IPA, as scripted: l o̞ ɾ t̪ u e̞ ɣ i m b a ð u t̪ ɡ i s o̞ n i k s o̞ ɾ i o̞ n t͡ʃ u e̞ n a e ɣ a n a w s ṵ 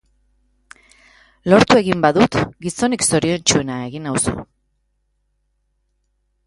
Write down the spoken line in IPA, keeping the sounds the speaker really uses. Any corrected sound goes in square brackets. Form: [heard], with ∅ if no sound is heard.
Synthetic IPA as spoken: l o̞ ɾ t̪ u e̞ ɣ i m b a ð u t̪ ɡ i s o̞ n i k s o̞ ɾ i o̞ n t͡ʃ u e̞ n a e ɣ [i] n a w s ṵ